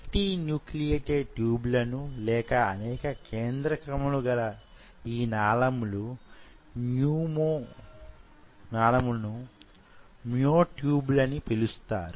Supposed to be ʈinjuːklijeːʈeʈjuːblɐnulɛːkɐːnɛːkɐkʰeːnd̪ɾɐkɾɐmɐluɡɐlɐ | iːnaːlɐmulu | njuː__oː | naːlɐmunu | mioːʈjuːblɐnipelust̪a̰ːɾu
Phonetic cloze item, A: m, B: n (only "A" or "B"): A